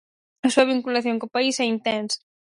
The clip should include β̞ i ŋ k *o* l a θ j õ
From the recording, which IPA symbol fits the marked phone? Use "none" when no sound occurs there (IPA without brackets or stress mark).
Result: u